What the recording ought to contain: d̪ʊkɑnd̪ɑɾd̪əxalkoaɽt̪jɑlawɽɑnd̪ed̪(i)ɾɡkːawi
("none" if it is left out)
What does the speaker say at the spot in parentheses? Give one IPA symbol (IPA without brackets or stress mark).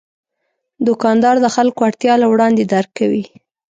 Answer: a